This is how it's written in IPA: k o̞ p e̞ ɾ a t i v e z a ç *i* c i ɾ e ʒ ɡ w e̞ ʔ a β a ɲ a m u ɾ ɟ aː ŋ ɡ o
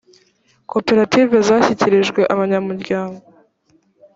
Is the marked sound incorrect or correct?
correct